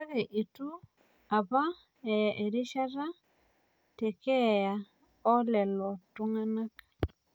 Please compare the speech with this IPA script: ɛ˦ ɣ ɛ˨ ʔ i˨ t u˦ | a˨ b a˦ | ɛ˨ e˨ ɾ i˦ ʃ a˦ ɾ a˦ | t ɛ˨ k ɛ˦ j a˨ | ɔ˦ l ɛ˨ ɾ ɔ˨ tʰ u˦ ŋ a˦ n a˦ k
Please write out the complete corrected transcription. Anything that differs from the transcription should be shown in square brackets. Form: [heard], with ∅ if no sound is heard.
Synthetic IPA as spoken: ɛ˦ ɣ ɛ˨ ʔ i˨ t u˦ | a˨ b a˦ | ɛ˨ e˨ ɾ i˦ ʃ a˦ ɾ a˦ | t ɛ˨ k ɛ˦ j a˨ | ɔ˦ l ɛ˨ [l] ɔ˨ [t] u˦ ŋ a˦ n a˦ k